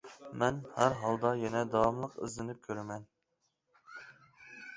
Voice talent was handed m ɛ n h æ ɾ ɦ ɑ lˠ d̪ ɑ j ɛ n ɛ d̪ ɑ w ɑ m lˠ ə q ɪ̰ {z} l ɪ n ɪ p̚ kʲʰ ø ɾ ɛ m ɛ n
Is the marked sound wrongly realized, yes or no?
no